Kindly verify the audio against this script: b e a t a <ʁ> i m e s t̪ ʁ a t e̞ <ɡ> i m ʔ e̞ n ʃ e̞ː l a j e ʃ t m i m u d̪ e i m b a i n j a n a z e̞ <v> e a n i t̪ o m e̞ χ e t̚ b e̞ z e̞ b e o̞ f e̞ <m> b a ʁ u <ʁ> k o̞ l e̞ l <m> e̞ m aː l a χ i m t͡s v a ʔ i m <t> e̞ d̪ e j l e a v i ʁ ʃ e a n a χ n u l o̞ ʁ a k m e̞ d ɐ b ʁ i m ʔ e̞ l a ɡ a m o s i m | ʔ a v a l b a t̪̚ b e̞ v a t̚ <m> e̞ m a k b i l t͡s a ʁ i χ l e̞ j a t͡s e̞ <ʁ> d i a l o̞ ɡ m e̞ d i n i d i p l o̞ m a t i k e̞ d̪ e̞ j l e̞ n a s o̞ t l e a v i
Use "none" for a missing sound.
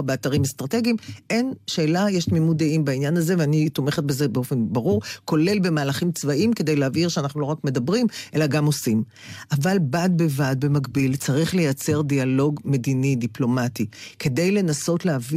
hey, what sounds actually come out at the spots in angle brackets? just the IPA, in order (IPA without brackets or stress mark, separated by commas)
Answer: ʁ, ɡ, v, n, ʁ, b, k, b, ʁ